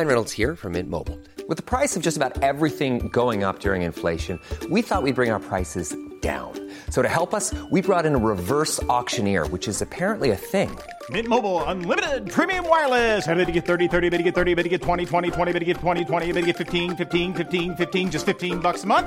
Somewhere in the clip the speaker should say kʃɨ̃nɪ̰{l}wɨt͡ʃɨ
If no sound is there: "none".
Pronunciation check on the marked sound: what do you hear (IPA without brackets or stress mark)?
ɹ